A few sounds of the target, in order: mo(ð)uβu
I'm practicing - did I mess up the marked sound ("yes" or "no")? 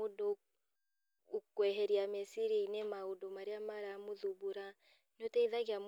no